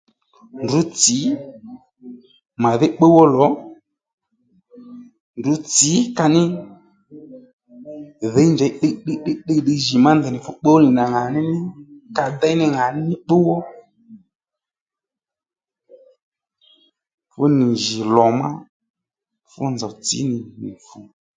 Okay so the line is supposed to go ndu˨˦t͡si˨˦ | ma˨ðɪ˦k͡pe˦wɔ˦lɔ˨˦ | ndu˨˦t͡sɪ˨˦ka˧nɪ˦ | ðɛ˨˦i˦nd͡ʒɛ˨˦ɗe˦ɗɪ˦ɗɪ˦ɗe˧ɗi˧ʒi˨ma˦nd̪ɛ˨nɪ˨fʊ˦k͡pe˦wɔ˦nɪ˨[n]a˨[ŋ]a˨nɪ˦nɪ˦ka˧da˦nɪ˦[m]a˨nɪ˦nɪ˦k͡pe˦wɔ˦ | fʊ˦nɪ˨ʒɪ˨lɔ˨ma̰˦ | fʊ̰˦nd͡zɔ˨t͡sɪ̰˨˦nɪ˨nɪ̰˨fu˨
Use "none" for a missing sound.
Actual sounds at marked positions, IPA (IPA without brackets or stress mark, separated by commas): n, ŋ, ŋ